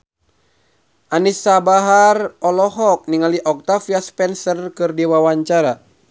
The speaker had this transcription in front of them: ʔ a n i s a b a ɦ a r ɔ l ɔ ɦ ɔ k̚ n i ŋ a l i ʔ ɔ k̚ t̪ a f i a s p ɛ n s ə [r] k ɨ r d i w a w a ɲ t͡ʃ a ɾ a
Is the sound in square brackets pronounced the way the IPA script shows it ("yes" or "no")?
yes